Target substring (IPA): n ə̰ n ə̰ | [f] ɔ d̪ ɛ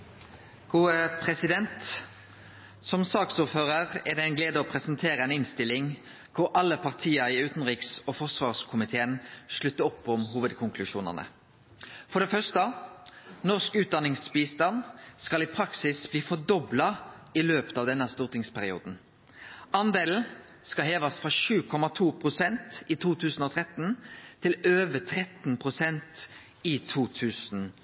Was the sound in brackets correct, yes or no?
yes